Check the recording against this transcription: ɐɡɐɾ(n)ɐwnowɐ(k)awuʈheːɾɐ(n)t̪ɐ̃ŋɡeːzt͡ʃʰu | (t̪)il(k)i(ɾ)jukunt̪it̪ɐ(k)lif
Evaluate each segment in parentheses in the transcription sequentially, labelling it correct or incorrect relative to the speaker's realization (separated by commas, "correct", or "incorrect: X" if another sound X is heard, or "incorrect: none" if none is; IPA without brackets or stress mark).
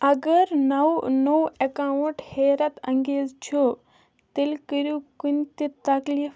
correct, correct, incorrect: none, correct, correct, correct, correct